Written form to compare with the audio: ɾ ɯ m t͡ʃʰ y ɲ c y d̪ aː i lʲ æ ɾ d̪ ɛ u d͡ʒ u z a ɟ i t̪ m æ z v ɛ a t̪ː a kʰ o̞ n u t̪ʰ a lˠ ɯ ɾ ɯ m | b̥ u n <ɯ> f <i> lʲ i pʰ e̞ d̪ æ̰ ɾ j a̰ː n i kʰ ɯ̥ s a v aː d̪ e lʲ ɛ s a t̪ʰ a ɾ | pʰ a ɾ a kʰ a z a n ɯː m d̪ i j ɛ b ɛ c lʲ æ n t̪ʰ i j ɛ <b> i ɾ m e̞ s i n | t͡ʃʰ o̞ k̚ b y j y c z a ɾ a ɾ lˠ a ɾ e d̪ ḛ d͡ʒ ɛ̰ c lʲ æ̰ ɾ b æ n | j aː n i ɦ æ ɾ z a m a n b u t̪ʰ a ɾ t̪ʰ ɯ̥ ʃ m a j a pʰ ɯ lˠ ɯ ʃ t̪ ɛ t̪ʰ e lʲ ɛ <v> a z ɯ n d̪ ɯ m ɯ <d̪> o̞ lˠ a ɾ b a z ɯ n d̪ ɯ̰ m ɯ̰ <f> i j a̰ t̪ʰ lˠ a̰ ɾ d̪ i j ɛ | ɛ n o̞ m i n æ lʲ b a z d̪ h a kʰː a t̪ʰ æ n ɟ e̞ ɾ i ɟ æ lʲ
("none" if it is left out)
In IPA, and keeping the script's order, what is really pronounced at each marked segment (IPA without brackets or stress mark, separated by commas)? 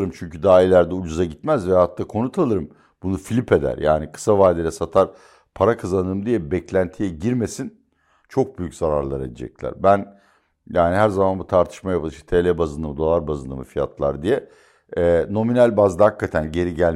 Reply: u, i, ɟ, b, d̪, f